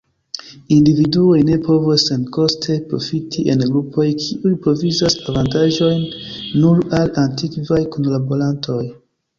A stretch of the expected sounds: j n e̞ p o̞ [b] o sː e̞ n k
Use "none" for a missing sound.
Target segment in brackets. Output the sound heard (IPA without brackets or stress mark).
v